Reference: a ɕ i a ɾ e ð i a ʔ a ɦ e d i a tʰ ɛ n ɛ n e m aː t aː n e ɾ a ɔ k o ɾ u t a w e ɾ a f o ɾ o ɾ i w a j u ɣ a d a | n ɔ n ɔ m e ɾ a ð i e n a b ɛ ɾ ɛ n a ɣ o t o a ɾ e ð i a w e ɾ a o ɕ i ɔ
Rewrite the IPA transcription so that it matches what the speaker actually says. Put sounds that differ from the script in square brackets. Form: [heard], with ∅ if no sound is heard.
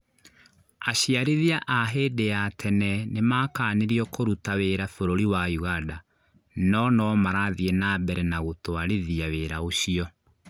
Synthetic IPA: a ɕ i a ɾ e ð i a ʔ a ɦ e d [e] a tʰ ɛ n ɛ n e m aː [k] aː n e ɾ [i] ɔ k o ɾ u t a w e ɾ a f o ɾ o ɾ i w a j u ɣ a d a | n ɔ n ɔ m [a] ɾ a ð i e n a b ɛ ɾ ɛ n a ɣ o t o a ɾ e ð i a w e ɾ a o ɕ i ɔ